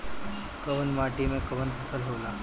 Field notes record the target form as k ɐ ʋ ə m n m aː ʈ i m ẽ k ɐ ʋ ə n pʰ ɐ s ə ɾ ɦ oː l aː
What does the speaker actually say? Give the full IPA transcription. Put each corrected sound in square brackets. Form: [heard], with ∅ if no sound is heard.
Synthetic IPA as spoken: k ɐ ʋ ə [∅] n m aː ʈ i m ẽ k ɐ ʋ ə n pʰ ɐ s ə [l] ɦ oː l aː